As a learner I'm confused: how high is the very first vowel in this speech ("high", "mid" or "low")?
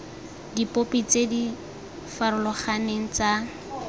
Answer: high